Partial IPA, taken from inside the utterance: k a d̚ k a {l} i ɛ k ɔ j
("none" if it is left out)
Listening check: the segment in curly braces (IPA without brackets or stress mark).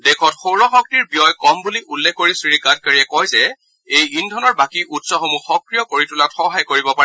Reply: ɹ